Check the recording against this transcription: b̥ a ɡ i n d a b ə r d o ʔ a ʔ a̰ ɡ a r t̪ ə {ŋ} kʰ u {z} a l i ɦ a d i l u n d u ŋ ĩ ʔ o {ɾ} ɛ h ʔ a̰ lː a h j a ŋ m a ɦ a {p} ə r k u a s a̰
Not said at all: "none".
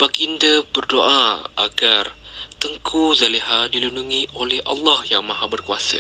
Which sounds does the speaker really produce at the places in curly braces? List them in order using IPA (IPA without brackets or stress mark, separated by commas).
ŋ, z, l, b